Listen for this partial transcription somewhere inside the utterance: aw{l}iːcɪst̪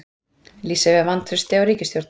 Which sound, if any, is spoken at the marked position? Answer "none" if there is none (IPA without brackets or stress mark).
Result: ɾ